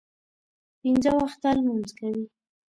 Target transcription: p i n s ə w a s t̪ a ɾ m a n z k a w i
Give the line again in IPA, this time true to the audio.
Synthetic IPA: p i n z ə w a x t̪ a l m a n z k a w i